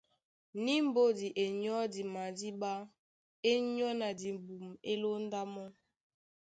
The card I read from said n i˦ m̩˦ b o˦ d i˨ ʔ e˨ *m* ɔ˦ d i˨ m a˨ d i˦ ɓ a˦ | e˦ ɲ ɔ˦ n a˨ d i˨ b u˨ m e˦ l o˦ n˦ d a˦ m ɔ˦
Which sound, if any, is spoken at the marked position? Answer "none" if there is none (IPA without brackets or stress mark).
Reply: ɲ